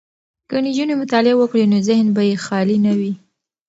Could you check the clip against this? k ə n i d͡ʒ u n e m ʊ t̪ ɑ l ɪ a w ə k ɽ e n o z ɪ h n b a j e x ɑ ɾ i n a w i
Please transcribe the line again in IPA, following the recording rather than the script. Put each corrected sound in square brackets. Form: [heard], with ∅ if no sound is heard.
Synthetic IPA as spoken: k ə n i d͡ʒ u n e m ʊ t̪ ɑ l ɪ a w ə k ɽ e n o z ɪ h n b a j e x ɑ [l] i n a w i